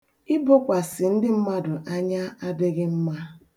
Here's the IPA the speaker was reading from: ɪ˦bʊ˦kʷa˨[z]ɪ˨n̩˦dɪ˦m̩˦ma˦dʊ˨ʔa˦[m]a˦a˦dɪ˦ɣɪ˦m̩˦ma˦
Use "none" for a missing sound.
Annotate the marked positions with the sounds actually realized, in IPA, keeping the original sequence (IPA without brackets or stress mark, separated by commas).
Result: s, ɲ